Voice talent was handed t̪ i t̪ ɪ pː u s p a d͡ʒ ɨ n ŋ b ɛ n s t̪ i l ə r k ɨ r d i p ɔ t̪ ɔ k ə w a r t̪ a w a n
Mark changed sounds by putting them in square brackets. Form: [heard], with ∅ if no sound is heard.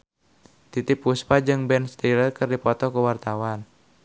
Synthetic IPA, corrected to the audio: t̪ i t̪ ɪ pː u s p a d͡ʒ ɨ [∅] ŋ b ɛ n s t̪ i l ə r k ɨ r d i p ɔ t̪ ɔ k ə w a r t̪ a w a n